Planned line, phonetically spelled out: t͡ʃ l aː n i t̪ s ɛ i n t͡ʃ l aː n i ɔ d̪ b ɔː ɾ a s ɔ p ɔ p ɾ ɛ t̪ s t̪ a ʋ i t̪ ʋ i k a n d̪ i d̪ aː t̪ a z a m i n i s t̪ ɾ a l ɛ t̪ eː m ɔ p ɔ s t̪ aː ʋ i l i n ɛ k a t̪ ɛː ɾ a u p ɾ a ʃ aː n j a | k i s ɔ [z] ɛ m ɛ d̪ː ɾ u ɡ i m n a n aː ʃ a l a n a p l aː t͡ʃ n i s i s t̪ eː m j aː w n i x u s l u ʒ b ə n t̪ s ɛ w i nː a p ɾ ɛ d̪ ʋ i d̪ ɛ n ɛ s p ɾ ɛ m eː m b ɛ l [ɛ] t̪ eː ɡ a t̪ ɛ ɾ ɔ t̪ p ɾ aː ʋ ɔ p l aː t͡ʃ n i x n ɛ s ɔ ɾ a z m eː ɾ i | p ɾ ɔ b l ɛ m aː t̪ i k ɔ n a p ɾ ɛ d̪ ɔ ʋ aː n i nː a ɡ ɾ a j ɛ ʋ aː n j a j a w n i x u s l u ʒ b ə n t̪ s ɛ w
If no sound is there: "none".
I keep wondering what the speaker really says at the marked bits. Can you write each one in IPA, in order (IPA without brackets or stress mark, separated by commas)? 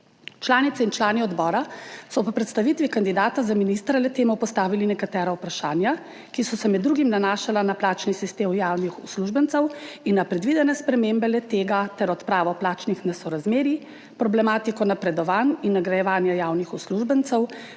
s, ɛ